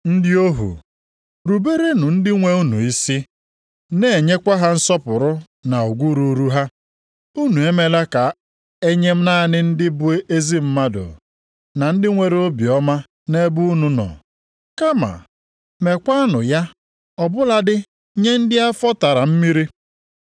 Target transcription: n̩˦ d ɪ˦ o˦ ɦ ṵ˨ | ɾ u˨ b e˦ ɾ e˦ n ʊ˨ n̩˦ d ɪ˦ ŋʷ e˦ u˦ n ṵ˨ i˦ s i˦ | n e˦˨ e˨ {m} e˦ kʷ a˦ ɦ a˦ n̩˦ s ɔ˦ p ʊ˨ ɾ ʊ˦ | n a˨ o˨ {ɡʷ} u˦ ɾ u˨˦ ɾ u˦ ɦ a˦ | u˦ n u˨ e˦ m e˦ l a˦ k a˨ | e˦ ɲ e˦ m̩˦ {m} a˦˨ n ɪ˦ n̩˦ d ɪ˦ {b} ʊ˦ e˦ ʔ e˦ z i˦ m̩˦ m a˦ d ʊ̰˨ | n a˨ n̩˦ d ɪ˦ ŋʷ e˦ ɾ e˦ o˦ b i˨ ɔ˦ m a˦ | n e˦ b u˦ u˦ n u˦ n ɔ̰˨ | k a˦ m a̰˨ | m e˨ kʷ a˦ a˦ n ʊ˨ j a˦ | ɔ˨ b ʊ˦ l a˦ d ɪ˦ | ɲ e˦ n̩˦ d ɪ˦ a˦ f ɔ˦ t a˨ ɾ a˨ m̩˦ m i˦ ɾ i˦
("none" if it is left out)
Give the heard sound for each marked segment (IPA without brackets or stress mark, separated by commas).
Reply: ɲ, ɡʷ, n, b